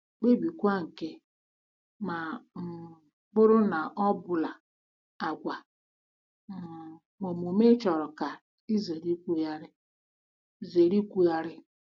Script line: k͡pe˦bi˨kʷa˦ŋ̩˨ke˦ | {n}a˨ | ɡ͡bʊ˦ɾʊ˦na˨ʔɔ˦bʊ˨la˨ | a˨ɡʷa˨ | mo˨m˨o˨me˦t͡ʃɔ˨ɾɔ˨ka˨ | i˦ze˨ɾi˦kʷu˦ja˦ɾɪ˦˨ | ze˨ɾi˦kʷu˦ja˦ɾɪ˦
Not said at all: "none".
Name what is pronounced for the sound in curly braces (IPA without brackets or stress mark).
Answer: m